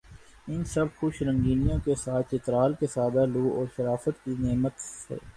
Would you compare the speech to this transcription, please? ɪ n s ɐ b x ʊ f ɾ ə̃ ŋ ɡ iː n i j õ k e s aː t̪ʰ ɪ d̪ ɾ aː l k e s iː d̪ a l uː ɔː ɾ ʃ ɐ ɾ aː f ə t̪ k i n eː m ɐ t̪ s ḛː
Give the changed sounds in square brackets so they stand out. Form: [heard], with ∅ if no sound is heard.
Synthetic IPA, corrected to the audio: ɪ n s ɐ b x ʊ [ʃ] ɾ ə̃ ŋ ɡ iː n i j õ k e s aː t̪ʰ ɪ [t̪] ɾ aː l k e s [aː] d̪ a l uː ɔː ɾ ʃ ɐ ɾ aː f ə t̪ k i n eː m [ə] t̪ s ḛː